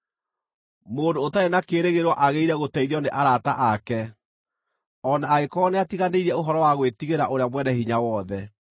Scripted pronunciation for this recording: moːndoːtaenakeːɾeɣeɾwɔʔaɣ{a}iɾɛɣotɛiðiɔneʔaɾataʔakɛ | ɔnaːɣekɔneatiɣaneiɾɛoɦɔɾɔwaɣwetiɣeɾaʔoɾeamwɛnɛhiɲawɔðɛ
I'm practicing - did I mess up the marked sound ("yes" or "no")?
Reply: yes